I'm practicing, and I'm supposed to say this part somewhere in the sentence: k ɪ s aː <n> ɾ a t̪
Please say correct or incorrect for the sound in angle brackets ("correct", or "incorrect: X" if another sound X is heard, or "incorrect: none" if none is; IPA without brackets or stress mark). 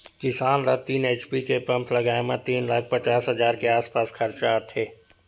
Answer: correct